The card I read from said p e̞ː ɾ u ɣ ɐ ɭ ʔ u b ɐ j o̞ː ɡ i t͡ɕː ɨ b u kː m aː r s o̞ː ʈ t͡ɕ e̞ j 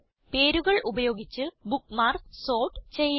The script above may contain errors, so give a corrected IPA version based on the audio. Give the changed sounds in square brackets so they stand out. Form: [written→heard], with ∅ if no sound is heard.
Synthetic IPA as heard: p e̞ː ɾ u ɣ ɐ ɭ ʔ u b ɐ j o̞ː ɡ i t͡ɕː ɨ b u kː m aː r s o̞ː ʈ t͡ɕ e̞ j